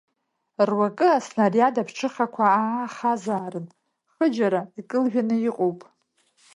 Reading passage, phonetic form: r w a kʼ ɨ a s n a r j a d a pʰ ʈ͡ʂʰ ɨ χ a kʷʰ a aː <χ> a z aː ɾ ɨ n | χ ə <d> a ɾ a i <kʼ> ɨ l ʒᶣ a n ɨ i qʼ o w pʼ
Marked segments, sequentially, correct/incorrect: correct, incorrect, correct

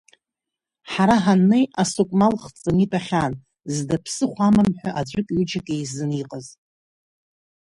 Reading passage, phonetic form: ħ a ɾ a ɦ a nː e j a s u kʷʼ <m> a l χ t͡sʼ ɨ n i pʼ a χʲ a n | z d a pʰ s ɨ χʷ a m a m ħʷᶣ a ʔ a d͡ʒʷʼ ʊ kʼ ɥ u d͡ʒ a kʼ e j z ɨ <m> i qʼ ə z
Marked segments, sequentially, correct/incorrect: correct, incorrect

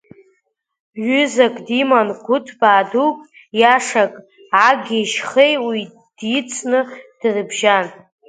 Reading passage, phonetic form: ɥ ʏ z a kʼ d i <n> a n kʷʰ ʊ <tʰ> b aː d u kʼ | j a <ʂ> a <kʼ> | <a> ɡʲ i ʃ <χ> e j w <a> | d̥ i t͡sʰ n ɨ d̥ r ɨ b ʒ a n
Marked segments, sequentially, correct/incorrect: incorrect, correct, correct, correct, correct, correct, incorrect

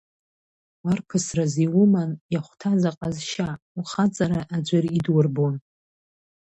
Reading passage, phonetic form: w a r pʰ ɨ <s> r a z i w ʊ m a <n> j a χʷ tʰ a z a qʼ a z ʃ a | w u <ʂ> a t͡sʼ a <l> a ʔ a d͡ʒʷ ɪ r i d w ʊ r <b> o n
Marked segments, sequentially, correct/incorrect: correct, correct, incorrect, incorrect, correct

